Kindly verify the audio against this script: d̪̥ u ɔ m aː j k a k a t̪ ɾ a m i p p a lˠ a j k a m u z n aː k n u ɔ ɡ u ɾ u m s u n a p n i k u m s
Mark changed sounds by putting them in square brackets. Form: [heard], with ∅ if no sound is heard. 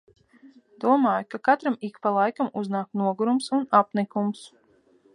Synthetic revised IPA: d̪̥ u ɔ m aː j k a k a t̪ ɾ a m i [k] p a lˠ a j k a m u z n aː k n u ɔ ɡ u ɾ u m s u n a p n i k u m s